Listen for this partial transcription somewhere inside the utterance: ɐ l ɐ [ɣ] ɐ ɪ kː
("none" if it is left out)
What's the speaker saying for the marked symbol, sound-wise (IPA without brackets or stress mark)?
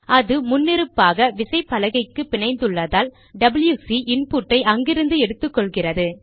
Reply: ɣ